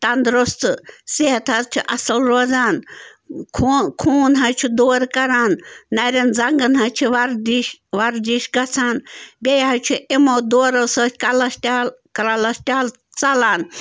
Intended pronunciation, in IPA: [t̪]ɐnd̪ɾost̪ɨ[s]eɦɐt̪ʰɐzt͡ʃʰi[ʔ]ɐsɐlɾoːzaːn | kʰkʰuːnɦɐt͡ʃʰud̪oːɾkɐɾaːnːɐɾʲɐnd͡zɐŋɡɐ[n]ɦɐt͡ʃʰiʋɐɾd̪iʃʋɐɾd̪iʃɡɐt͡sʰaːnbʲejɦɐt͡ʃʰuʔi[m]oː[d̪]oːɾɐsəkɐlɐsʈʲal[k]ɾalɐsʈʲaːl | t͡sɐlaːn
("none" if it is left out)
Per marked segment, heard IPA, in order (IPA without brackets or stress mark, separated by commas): t̪, s, ʔ, n, m, d̪, k